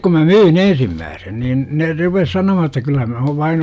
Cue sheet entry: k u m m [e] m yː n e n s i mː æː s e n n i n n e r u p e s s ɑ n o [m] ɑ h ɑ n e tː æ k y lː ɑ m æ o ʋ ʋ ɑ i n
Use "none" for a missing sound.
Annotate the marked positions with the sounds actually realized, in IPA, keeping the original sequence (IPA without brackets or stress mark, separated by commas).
æ, m